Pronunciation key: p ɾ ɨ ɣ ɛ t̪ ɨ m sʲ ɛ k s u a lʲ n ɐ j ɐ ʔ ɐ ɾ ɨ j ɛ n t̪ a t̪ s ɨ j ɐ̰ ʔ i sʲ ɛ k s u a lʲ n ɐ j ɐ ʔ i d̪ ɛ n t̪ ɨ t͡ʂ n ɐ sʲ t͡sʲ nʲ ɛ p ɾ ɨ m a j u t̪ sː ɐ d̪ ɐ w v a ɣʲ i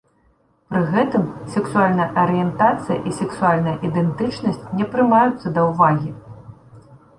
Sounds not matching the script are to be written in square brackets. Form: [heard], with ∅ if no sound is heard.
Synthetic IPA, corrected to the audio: p ɾ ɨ ɣ ɛ t̪ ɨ m sʲ ɛ k s u a lʲ n ɐ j ɐ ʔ ɐ ɾ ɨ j ɛ n t̪ a t̪ s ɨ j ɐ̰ ʔ i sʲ ɛ k s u a lʲ n ɐ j ɐ ʔ i d̪ ɛ n t̪ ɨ t͡ʂ n ɐ sʲ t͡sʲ nʲ ɛ p ɾ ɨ m a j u t̪ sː ɐ d̪ ɐ w v a ɣʲ i